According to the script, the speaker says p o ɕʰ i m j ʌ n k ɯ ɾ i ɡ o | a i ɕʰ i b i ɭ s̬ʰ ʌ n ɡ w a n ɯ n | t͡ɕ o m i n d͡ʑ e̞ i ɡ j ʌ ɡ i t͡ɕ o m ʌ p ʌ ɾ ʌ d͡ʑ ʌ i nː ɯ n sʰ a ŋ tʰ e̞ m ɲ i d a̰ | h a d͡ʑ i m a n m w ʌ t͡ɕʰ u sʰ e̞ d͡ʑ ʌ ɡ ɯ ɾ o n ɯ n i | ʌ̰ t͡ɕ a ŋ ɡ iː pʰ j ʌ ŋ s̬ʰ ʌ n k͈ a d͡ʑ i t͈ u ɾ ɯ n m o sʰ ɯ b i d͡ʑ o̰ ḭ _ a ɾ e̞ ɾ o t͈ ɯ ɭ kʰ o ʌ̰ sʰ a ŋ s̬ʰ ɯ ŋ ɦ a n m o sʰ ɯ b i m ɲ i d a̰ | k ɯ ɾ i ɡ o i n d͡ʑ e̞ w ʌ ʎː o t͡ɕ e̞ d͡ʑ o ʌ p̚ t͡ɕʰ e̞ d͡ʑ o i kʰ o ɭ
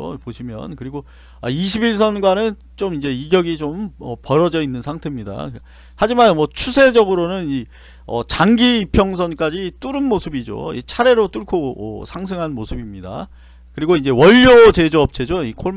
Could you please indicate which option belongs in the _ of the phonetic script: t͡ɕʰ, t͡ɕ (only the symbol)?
t͡ɕʰ